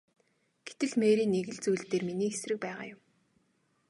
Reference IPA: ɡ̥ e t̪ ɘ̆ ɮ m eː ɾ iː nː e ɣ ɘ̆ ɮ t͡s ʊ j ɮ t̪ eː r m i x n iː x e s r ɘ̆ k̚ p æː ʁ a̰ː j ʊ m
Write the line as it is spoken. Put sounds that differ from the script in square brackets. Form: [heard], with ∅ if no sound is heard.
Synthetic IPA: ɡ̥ e t̪ ɘ̆ ɮ m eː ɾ iː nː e ɣ ɘ̆ ɮ t͡s [u] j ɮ t̪ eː r m i [∅] n iː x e s r ɘ̆ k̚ p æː ʁ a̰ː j ʊ m